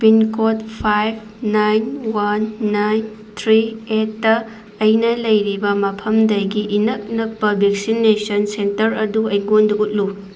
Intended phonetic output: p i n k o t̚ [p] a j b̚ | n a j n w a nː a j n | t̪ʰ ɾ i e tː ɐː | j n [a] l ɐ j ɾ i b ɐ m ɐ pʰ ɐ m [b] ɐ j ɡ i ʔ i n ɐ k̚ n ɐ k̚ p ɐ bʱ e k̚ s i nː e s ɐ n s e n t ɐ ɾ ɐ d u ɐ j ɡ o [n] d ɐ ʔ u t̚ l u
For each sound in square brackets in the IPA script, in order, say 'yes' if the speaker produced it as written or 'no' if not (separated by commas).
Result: no, no, no, yes